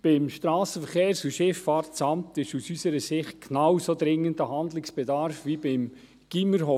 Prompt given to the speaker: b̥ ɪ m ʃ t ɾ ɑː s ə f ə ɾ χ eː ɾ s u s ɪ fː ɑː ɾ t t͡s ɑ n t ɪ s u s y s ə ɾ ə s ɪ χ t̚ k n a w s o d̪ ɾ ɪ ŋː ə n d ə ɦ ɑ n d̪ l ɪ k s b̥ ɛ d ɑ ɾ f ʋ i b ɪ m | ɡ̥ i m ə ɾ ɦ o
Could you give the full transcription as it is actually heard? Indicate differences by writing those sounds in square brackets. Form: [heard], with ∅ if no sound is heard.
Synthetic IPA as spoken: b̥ ɪ m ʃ t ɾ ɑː s ə f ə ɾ χ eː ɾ s u [ʃ] ɪ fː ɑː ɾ t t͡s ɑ [m] t ɪ [ʃ] u s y s ə ɾ ə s ɪ χ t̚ k n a w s o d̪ ɾ ɪ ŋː ə n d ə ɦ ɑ n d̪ l ɪ k s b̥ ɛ d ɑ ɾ f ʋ i b ɪ m | ɡ̥ i m ə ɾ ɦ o